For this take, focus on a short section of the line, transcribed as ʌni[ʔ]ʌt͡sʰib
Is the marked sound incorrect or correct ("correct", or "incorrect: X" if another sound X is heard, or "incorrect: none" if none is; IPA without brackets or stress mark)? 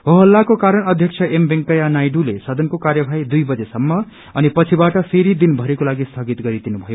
incorrect: p